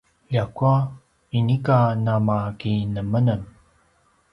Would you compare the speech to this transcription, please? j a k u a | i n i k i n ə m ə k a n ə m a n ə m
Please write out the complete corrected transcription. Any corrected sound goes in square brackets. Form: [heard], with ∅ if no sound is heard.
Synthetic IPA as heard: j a k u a | i n i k [a] n [a] m [a] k [i] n ə m [ə] n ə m